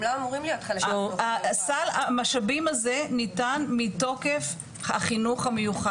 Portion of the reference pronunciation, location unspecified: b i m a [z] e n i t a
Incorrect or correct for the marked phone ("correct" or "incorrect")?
correct